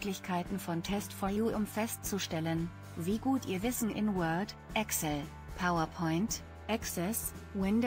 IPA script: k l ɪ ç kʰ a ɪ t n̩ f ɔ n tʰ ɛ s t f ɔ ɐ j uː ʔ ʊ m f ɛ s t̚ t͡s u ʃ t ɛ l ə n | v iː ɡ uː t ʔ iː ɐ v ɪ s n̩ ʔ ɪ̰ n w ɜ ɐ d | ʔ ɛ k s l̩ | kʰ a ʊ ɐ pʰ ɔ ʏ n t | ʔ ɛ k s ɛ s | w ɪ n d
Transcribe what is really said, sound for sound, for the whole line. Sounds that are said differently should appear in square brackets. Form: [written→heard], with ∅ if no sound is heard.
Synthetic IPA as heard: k l ɪ ç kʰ a ɪ t n̩ f ɔ n tʰ ɛ s t f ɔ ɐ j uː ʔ ʊ m f ɛ s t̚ t͡s u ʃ t ɛ l ə n | v iː ɡ uː t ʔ iː ɐ v ɪ s n̩ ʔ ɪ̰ n w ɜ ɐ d | ʔ ɛ k s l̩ | [kʰ→pʰ] a ʊ ɐ pʰ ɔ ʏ n t | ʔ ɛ k s ɛ s | w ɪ n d